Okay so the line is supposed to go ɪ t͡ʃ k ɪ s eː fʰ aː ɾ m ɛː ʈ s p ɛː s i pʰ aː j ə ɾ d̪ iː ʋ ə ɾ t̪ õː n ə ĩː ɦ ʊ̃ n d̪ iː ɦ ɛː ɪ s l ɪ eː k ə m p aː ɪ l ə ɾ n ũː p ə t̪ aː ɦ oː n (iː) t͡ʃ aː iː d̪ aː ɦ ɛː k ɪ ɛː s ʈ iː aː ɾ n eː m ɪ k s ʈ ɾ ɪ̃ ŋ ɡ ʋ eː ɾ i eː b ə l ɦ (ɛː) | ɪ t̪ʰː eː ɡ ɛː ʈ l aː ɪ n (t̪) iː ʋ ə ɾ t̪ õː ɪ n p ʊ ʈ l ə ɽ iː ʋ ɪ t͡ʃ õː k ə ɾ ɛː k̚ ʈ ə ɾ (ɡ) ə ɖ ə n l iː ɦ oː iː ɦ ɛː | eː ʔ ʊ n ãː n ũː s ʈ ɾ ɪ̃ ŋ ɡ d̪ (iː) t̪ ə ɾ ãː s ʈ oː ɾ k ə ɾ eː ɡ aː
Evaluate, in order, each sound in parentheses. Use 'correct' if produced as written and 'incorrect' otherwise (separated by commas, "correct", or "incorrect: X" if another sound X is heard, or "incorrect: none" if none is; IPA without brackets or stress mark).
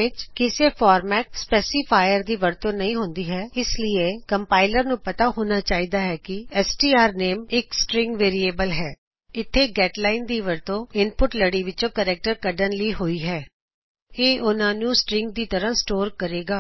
incorrect: aː, correct, incorrect: d̪, incorrect: k, correct